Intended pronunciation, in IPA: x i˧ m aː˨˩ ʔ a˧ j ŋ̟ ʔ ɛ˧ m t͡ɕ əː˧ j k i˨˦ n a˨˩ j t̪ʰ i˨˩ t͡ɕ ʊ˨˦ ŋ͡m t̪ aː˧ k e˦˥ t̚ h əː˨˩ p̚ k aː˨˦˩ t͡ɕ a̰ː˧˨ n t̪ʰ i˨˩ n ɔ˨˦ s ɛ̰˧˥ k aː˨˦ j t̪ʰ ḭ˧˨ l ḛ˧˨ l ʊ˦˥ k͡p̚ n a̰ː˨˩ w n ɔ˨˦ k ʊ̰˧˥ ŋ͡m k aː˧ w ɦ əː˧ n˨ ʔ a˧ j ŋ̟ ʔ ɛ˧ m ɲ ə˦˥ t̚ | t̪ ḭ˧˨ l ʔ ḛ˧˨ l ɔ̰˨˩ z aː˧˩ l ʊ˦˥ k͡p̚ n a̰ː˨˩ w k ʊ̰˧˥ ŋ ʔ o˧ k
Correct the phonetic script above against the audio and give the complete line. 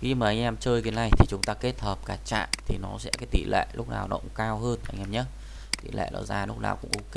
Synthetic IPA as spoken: x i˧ m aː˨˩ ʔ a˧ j ŋ̟ ʔ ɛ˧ m t͡ɕ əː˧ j k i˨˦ n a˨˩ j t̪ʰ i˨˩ t͡ɕ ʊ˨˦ ŋ͡m t̪ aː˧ k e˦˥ t̚ h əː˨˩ p̚ k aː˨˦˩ t͡ɕ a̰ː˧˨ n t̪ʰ i˨˩ n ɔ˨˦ s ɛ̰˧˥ k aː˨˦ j t̪ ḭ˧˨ l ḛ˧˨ l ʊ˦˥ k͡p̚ n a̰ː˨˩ w n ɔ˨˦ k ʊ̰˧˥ ŋ͡m k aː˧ w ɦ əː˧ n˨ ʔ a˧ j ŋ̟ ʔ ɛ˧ m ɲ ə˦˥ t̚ | t̪ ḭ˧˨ l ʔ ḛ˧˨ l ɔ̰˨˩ z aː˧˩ l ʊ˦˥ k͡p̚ n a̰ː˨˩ w k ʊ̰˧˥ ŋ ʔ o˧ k

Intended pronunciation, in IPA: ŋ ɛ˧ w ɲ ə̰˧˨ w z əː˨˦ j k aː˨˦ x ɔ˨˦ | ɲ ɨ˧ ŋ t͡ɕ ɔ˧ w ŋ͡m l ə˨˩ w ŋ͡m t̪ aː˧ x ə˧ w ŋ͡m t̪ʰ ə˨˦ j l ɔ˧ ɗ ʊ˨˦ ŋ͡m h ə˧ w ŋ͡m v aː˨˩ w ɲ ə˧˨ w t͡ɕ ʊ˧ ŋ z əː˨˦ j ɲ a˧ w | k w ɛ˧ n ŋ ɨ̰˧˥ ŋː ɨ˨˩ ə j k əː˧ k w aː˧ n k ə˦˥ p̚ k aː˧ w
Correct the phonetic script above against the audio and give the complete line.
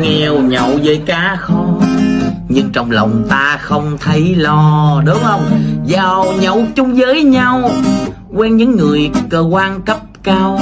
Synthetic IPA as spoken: ŋ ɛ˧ w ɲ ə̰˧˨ w z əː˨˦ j k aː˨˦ x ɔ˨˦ | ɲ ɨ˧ ŋ t͡ɕ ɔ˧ w ŋ͡m l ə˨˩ w ŋ͡m t̪ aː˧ x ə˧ w ŋ͡m t̪ʰ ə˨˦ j l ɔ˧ ɗ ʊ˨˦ ŋ͡m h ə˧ w ŋ͡m z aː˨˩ w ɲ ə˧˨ w t͡ɕ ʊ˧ ŋ͡m z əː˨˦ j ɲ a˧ w | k w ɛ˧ n ɲ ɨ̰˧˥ ŋː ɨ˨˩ ə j k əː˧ k w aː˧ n k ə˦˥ p̚ k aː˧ w

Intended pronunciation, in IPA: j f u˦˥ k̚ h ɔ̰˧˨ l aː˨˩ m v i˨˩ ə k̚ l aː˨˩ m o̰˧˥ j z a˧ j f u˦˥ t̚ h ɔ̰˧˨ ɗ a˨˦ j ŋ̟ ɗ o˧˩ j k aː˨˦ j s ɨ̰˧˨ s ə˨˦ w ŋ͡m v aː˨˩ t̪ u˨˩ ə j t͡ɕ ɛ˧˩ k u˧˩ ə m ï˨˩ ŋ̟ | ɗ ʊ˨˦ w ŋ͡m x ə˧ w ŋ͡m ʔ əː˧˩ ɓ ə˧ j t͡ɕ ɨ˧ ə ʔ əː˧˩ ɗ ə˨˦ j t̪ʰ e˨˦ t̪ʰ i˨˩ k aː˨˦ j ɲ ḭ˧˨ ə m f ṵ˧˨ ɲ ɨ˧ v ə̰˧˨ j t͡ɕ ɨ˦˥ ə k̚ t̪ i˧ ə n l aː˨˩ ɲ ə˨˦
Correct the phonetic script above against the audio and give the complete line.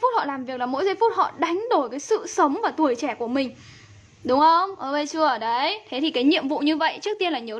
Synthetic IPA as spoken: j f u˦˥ t̚ h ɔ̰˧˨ l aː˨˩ m v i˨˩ ə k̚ l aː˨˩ m o̰˧˥ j z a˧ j f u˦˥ t̚ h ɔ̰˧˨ ɗ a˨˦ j ŋ̟ ɗ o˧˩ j k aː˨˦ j s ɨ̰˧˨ s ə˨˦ w ŋ͡m v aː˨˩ t̪ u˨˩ ə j t͡ɕ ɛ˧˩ k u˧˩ ə m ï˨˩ ŋ̟ | ɗ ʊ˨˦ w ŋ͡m x ə˧ w ŋ͡m ʔ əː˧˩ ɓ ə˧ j t͡ɕ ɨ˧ ə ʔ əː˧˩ ɗ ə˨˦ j t̪ʰ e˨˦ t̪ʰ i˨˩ k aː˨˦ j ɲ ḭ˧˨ ə m v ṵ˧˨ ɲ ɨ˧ v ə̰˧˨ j t͡ɕ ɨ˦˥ ə k̚ t̪ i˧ ə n l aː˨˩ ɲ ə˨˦

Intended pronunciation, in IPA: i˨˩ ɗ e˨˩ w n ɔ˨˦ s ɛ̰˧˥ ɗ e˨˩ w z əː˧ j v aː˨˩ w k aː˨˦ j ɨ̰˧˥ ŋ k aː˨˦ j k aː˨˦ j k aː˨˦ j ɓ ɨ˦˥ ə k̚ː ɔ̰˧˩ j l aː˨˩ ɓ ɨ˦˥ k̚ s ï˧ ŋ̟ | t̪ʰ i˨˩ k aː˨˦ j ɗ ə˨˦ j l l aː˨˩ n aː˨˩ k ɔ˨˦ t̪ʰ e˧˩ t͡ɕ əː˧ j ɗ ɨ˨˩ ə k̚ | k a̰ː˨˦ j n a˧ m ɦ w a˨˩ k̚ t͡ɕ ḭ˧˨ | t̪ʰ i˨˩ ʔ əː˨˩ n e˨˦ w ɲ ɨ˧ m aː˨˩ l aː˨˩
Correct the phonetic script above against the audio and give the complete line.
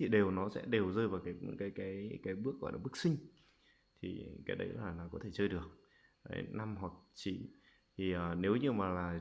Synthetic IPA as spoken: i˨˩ ɗ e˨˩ w n ɔ˨˦ s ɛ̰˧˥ ɗ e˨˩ w z əː˧ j v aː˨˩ w k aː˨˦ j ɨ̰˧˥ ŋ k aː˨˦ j k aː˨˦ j k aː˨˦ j ɓ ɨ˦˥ ə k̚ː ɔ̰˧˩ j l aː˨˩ ɓ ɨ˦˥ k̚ s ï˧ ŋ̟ | t̪ʰ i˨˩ k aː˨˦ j ɗ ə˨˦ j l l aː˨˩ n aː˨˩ k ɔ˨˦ t̪ʰ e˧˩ t͡ɕ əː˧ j ɗ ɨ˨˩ ə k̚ | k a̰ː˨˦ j n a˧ m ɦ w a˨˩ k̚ t͡ɕ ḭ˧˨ | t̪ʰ i˨˩ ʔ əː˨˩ n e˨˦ w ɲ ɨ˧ m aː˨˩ l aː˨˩

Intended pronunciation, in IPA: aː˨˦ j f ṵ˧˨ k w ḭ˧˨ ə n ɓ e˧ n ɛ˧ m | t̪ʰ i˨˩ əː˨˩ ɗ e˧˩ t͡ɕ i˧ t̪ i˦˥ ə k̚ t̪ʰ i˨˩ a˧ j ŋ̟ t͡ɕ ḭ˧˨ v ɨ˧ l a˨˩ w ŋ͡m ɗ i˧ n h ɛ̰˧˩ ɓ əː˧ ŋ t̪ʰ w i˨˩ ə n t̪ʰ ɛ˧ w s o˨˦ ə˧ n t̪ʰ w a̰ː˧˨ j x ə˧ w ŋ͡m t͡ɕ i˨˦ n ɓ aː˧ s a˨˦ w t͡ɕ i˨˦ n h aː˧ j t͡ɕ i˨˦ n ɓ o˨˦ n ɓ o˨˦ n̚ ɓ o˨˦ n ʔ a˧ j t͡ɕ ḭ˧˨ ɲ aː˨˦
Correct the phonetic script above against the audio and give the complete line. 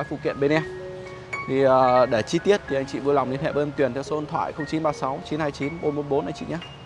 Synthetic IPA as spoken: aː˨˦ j f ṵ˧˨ k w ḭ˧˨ ə n ɓ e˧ n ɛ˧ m | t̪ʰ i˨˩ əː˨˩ ɗ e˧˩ t͡ɕ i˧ t̪ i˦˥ ə t̚ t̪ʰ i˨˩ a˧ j ŋ̟ t͡ɕ ḭ˧˨ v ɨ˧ l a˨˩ w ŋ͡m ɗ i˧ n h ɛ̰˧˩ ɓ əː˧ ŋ t̪ w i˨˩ ə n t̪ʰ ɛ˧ w s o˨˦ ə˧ n t̪ʰ w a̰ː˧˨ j x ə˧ w ŋ͡m t͡ɕ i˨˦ n ɓ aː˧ s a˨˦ w t͡ɕ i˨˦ n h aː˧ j t͡ɕ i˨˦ n ɓ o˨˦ n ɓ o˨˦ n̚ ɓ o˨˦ n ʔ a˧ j t͡ɕ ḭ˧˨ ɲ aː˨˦

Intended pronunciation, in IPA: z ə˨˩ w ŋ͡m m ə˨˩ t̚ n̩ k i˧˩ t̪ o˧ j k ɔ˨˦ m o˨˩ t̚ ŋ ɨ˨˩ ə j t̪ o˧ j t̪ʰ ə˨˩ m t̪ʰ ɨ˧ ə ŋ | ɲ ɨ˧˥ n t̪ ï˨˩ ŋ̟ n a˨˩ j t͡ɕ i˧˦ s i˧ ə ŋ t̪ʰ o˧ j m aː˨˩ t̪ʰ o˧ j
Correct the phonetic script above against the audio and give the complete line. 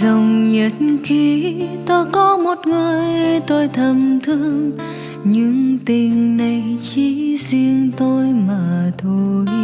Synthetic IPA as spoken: z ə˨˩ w ŋ͡m ɲ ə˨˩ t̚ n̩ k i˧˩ t̪ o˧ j k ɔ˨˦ m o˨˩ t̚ ŋ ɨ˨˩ ə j t̪ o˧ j t̪ʰ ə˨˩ m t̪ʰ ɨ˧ ə ŋ | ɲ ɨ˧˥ ŋ t̪ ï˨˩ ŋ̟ n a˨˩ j t͡ɕ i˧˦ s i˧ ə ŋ t̪ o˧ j m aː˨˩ t̪ʰ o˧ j

